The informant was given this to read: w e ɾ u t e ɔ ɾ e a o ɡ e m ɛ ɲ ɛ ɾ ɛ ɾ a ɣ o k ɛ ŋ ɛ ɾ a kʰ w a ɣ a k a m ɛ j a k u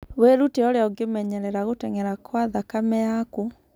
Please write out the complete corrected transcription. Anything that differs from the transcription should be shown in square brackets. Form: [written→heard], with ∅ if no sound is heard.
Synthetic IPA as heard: w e ɾ u t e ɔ ɾ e a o ɡ e m ɛ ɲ ɛ ɾ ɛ ɾ a ɣ o [k→t] ɛ ŋ ɛ ɾ a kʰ w a [ɣ→ð] a k a m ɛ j a k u